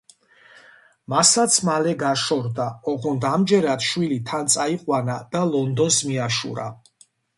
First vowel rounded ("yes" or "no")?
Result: no